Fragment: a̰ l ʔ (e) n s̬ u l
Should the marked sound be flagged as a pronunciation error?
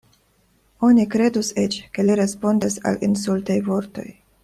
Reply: yes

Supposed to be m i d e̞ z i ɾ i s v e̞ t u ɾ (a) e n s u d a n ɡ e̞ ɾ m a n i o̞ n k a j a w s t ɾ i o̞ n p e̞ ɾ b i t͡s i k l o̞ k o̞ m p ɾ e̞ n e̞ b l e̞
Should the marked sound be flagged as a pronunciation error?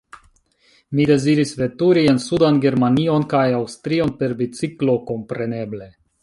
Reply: yes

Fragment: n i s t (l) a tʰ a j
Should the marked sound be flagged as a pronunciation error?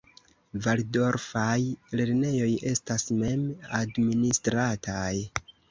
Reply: yes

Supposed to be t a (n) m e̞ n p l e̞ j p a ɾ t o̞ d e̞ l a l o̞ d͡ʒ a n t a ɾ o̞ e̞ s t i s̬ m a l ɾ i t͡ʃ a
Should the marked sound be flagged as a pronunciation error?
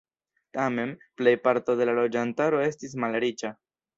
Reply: yes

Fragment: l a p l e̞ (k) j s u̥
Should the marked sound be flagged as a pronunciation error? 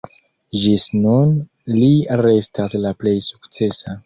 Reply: yes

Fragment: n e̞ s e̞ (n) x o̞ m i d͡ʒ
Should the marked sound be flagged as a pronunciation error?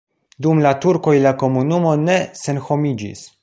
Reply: no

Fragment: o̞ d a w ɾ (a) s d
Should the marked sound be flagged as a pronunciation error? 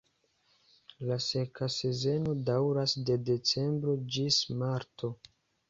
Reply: no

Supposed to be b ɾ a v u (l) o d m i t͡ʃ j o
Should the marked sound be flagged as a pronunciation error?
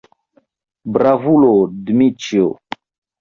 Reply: no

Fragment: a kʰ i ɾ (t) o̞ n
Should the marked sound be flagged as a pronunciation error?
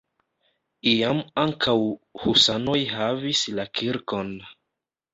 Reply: yes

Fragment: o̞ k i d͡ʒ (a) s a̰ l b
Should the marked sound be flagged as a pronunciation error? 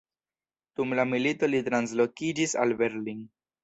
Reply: yes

